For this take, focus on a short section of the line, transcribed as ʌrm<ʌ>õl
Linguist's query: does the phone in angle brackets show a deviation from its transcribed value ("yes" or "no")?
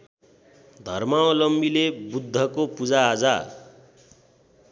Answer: yes